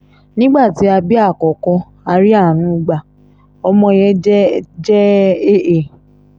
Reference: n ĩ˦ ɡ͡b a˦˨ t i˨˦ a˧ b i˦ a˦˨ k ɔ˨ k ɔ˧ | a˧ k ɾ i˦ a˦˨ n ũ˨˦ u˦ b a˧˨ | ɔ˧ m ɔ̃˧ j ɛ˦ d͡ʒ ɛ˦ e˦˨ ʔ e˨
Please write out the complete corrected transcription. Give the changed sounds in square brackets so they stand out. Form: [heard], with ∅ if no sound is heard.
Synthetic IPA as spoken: n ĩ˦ ɡ͡b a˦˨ t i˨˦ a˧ b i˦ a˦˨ k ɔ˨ k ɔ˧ | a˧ [∅] ɾ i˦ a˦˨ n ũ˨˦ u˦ [ɡ͡b] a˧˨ | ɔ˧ m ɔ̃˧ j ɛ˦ d͡ʒ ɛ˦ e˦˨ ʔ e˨